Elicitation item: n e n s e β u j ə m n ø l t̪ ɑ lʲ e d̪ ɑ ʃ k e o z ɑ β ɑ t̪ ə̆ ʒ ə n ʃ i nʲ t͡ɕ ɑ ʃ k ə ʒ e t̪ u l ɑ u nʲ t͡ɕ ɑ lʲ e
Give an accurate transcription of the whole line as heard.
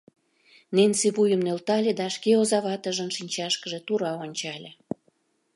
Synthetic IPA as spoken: n e n s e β u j ə m n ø l t̪ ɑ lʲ e d̪ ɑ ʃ k e o z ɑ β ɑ t̪ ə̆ ʒ ə n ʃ i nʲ t͡ɕ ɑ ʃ k ə ʒ e t̪ u ɾ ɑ o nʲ t͡ɕ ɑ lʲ e